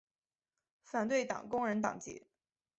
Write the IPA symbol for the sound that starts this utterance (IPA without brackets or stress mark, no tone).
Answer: f